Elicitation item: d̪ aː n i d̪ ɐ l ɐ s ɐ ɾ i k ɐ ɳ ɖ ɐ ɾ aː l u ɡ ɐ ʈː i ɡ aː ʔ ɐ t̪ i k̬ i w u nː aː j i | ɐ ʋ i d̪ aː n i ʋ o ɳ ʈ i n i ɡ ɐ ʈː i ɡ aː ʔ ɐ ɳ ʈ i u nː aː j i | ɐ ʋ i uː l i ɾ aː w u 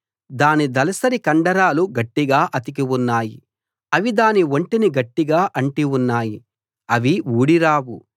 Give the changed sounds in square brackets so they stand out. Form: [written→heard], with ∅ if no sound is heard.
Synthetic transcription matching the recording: d̪ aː n i d̪ ɐ l ɐ s ɐ ɾ i k ɐ ɳ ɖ ɐ ɾ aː l u ɡ ɐ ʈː i ɡ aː ʔ ɐ t̪ i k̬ i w u nː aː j i | ɐ ʋ i d̪ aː n i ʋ o ɳ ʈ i n i ɡ ɐ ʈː i ɡ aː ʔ ɐ ɳ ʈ i u nː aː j i | ɐ ʋ i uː [l→ɽ] i ɾ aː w u